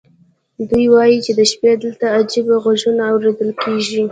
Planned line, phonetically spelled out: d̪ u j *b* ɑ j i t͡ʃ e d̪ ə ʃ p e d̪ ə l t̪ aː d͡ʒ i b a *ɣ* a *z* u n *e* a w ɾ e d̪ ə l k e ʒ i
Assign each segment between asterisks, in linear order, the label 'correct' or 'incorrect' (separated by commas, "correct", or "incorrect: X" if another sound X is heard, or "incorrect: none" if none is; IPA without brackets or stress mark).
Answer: incorrect: w, correct, incorrect: ʒ, incorrect: a